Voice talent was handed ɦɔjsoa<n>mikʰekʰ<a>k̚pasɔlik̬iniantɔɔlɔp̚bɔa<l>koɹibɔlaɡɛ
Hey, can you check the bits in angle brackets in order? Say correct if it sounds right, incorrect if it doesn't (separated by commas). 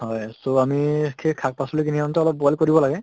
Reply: incorrect, correct, correct